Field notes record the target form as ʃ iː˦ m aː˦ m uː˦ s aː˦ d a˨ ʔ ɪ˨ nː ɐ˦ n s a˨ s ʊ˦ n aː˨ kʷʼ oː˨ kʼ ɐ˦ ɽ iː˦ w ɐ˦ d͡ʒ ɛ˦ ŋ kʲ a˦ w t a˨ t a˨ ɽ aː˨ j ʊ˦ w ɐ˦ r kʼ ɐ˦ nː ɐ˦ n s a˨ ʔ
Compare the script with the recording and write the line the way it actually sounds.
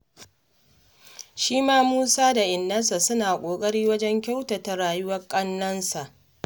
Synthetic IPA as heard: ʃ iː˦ m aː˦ m uː˦ s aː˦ d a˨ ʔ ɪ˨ nː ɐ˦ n s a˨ s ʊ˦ n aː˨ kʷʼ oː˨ kʼ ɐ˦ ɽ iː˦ w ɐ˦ d͡ʒ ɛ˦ ŋ kʲ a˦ w t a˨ t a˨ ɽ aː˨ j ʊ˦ w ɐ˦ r kʼ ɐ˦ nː ɐ˦ n s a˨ ʔ